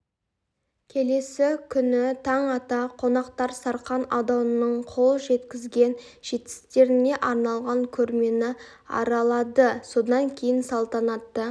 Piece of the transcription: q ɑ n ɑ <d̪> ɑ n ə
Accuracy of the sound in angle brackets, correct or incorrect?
correct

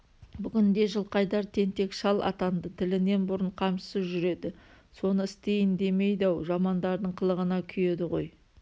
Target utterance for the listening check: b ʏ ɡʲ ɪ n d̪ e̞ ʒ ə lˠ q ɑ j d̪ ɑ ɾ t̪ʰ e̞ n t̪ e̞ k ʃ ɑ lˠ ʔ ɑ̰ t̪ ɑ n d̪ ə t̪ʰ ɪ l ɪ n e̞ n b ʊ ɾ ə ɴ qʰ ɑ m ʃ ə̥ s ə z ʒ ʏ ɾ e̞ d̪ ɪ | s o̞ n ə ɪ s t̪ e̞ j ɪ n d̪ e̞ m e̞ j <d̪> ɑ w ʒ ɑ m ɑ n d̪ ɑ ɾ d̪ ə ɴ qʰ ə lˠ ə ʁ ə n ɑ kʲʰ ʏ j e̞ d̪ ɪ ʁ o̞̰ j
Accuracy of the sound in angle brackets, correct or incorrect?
correct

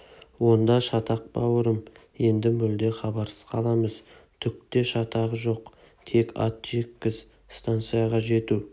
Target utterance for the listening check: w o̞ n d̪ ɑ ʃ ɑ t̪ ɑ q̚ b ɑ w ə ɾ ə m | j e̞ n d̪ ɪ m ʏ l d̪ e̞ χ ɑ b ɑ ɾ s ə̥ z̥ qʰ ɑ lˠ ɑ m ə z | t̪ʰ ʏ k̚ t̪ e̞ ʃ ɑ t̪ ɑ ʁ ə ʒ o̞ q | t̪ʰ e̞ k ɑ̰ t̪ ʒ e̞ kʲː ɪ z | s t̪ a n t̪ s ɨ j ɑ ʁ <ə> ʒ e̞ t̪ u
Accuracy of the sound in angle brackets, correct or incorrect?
incorrect: ɑ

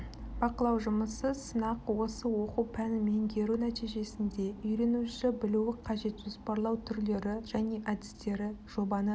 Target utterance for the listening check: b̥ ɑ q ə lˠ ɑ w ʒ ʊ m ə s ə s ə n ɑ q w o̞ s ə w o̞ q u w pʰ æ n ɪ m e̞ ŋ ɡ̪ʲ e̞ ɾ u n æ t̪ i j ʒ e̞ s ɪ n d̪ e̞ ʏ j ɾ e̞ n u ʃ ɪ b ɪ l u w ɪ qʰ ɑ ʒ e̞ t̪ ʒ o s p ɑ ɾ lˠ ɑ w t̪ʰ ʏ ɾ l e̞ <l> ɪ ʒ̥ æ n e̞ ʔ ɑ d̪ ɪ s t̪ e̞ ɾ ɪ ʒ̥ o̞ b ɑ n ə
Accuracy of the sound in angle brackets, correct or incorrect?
incorrect: ɾ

